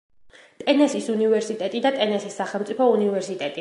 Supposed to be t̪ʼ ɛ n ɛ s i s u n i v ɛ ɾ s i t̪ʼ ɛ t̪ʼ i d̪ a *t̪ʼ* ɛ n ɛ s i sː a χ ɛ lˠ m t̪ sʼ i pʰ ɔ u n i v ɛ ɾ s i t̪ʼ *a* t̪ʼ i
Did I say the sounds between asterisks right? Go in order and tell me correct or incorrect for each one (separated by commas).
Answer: correct, incorrect